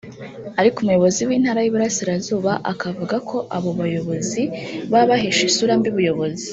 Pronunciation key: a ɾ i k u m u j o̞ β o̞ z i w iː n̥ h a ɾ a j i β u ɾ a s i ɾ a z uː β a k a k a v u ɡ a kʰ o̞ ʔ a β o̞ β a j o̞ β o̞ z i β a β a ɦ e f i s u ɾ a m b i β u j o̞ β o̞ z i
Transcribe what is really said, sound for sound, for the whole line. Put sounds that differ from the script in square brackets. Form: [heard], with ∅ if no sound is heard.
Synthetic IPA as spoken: a ɾ i k u m u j o̞ β o̞ z i w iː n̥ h a ɾ a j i β u ɾ a s i ɾ a z uː β a [ʔ] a k a v u ɡ a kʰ o̞ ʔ a β o̞ β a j o̞ β o̞ z i β a β a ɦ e [ʃ] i s u ɾ a m b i β u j o̞ β o̞ z i